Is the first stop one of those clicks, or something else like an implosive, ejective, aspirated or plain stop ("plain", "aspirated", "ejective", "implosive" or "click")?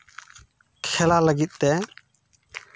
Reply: aspirated